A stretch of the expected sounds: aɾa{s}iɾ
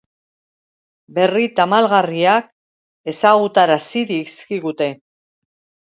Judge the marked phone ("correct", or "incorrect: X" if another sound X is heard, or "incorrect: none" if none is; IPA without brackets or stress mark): correct